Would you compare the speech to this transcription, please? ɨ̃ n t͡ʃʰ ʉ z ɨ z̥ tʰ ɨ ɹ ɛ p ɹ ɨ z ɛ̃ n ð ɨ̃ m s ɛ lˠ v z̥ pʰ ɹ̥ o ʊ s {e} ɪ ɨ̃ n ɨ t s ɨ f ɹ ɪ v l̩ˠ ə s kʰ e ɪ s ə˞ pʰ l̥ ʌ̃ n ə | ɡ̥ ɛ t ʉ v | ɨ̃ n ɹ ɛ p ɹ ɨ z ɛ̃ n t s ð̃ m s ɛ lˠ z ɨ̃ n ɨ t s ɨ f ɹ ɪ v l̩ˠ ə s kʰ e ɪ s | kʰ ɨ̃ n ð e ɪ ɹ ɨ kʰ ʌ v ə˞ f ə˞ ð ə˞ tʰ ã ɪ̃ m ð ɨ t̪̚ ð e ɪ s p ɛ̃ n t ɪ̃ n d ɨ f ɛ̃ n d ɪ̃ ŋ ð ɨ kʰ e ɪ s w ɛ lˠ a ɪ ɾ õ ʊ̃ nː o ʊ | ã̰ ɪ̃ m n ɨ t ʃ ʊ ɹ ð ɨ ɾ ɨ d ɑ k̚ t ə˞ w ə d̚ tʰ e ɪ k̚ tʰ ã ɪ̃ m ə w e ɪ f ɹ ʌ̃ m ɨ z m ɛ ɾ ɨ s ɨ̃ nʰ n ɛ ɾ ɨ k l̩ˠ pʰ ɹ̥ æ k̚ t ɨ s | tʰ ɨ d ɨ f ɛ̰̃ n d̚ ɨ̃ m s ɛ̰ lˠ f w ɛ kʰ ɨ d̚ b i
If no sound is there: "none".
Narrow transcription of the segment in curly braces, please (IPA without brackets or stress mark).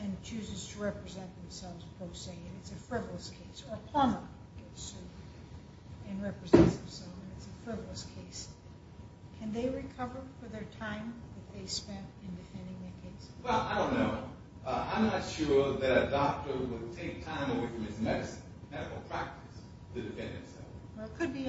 e